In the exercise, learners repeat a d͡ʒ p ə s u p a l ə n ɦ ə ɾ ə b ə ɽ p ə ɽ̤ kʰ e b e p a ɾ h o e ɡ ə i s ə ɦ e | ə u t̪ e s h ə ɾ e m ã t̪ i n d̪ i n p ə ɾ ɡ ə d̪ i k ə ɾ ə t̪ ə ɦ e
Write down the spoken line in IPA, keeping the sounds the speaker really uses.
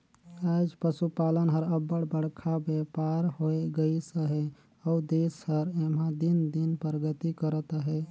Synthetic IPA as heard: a d͡ʒ p ə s u p a l ə n ɦ ə ɾ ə b ə ɽ b ə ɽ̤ kʰ a b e p a ɾ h o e ɡ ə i s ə ɦ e | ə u d̪ e s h ə ɾ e m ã d̪ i n d̪ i n p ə ɾ ɡ ə t̪ i k ə ɾ ə t̪ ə ɦ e

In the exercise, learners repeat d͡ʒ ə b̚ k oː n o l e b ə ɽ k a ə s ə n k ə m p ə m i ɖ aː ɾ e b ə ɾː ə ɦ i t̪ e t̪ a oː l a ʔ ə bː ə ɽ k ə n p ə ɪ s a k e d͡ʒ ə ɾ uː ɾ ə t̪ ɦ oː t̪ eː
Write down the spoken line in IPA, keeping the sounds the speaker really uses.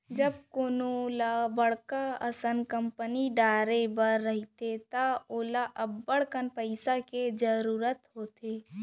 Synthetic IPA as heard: d͡ʒ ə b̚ k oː n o l a b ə ɽ k a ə s ə n k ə m p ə n i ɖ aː ɾ e b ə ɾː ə ɦ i t̪ e t̪ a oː l a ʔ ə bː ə ɽ k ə n p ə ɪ s a k e d͡ʒ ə ɾ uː ɾ ə t̪ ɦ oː t̪ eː

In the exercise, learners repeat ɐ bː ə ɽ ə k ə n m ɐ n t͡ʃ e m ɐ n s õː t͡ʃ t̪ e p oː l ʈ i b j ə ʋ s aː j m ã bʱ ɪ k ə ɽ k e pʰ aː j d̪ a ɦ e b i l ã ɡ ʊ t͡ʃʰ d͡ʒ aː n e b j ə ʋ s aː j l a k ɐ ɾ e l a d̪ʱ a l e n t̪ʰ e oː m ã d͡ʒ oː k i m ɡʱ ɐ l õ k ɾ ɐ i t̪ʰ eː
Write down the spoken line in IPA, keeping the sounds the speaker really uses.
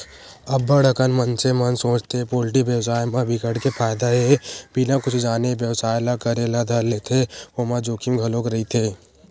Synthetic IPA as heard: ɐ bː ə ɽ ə k ə n m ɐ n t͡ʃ e m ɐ n s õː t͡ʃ t̪ e p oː l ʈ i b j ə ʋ s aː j m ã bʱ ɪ k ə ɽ k e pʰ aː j d̪ a ɦ e b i l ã k ʊ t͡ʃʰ d͡ʒ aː n e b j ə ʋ s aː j l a k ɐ ɾ e l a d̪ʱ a l e t̪ʰ e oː m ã d͡ʒ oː k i m ɡʱ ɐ l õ k ɾ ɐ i t̪ʰ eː

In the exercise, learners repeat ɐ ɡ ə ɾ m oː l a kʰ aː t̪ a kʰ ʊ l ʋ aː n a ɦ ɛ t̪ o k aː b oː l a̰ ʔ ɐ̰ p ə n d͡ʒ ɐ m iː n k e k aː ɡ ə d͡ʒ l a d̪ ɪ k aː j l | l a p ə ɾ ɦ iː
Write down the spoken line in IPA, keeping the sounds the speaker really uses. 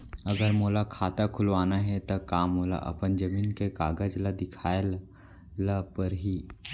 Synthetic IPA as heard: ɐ ɡ ə ɾ m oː l a kʰ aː t̪ a kʰ ʊ l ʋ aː n a ɦ ɛ t̪ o k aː m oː l a̰ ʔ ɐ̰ p ə n d͡ʒ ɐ m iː n k e k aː ɡ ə d͡ʒ l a d̪ ɪ kʰ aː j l | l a p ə ɾ ɦ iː

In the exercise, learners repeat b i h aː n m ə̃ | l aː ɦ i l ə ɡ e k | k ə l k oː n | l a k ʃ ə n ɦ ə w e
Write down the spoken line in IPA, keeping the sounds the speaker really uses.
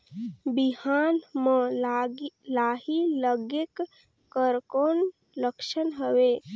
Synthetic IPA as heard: b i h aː n m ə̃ | l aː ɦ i l ə ɡ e k | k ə ɾ k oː n | l ə k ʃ ə n ɦ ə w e

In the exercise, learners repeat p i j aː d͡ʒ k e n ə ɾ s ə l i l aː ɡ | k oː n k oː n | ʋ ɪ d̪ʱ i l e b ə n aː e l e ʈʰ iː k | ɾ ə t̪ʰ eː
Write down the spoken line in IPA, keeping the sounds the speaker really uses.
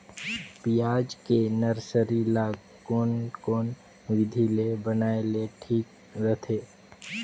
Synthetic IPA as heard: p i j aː d͡ʒ k e n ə ɾ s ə ɾ i l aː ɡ | k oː n k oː n | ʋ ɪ d̪ʱ i l e b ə n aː e l e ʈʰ iː k | ɾ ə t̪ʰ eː

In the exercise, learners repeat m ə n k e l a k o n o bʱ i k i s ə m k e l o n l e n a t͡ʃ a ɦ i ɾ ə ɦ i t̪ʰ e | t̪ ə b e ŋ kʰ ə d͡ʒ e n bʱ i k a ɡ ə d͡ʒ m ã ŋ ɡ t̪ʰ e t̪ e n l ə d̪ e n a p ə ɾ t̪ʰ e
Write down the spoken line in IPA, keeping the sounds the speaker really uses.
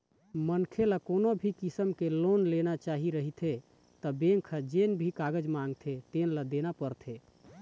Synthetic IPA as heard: m ə n kʰ e l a k o n o bʱ i k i s ə m k e l o n l e n a t͡ʃ a ɦ i ɾ ə ɦ i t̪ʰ e | t̪ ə b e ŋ kʰ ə d͡ʒ e n bʱ i k a ɡ ə d͡ʒ m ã ŋ ɡ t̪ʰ e t̪ e n l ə d̪ e n a p ə ɾ t̪ʰ e

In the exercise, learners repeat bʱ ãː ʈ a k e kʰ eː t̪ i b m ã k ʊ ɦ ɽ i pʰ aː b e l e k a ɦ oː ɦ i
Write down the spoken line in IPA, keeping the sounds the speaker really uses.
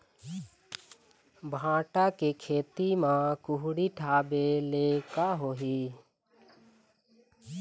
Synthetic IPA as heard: bʱ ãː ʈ a k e kʰ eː t̪ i m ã k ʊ ɦ ɽ i ʈʰ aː b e l e k a ɦ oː ɦ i

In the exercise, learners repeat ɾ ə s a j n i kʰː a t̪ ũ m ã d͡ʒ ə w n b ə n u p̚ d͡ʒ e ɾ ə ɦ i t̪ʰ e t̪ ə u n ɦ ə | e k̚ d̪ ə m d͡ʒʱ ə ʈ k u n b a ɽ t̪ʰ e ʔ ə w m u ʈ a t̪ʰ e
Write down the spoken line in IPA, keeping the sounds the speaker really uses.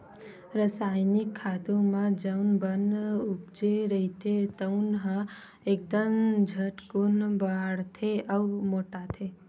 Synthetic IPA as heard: ɾ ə s a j n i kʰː a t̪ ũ m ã d͡ʒ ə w n b ə n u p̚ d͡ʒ e ɾ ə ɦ i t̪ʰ e t̪ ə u n ɦ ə | e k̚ d̪ ə m d͡ʒʱ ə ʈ k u n b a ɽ t̪ʰ e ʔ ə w m o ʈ a t̪ʰ e

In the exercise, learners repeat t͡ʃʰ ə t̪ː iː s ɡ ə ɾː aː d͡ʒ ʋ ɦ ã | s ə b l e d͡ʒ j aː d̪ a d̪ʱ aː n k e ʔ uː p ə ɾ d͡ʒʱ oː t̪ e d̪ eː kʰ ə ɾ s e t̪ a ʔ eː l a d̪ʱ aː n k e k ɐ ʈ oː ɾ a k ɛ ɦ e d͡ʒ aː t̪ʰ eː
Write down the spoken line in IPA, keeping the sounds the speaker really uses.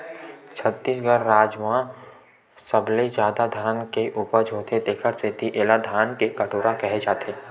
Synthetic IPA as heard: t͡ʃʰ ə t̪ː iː s ɡ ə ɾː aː d͡ʒ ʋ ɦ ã | s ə b l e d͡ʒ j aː d̪ a d̪ʱ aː n k e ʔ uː p ə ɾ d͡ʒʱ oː t̪ e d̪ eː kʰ ə ɾ s e t̪ i ʔ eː l a d̪ʱ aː n k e k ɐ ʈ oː ɾ a k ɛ ɦ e d͡ʒ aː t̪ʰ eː

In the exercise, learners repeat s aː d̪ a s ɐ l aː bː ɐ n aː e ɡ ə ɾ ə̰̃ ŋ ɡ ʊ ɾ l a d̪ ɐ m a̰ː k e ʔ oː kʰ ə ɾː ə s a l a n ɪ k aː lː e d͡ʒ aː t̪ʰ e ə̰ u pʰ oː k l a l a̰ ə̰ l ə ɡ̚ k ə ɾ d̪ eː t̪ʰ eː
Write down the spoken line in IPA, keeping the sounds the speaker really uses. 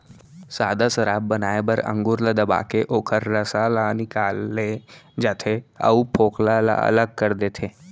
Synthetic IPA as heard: s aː d̪ a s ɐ ɾ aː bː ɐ n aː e b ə ɾ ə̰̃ ŋ ɡ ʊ ɾ l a d̪ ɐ b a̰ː k e ʔ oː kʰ ə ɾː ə s a l a n ɪ k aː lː e d͡ʒ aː t̪ʰ e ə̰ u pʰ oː k l a l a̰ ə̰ l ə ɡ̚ k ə ɾ d̪ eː t̪ʰ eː

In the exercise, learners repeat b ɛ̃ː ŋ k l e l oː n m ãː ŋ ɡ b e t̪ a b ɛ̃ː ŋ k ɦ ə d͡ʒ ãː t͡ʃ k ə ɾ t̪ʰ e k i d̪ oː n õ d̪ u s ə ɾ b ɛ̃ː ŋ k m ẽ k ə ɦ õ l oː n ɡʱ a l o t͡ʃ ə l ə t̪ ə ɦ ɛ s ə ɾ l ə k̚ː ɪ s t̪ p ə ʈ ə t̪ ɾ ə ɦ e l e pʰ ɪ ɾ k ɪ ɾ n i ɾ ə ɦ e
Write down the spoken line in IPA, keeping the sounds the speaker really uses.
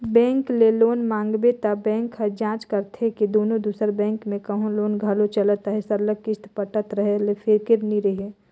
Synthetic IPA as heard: b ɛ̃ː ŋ k l e l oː n m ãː ŋ ɡ b e t̪ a b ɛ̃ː ŋ k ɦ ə d͡ʒ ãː t͡ʃ k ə ɾ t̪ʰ e k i d̪ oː n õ d̪ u s ə ɾ b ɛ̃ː ŋ k m ẽ k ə ɦ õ l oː n ɡʱ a l o t͡ʃ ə l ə t̪ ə ɦ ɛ s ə ɾ l ə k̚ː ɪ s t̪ p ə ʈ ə t̪ ɾ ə ɦ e l e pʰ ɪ ɾ k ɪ ɾ n i ɾ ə ɦ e

